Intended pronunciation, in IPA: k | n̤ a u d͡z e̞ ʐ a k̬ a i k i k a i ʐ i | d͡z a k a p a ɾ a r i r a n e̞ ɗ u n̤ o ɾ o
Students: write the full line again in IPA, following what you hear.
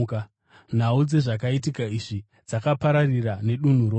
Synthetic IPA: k | n̤ a u d͡z e̞ ʐ a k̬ a i t i k a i ʐ i | d͡z a k a p a ɾ a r i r a n e̞ ɗ u n̤ u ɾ o